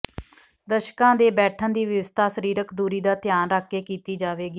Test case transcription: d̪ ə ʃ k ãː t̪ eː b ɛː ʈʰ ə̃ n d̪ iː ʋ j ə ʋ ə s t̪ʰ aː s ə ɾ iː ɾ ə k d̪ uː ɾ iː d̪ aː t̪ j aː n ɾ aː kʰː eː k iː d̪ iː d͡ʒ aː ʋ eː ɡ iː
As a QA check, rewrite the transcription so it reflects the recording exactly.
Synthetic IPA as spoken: d̪ ə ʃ k ãː d̪ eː b ɛː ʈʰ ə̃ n d̪ iː ʋ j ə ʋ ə s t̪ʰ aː s ə ɾ iː ɾ ə k d̪ uː ɾ iː d̪ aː t̪ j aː n ɾ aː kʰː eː k iː t̪ iː d͡ʒ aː ʋ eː ɡ iː